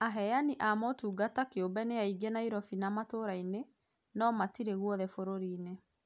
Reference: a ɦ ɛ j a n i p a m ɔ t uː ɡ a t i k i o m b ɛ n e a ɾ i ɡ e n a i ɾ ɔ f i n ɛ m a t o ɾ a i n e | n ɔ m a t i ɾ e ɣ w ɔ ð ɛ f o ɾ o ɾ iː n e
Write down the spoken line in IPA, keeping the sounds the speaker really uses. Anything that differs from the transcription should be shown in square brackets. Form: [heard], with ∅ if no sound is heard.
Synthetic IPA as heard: a ɦ ɛ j a n i [ʔ] a m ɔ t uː ɡ a t [a] k [e] o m b ɛ n e a [∅] i ɡ e n a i ɾ ɔ f i n [a] m a t o ɾ a i n e | n ɔ m a t i ɾ e ɣ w ɔ ð ɛ f o ɾ o ɾ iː n e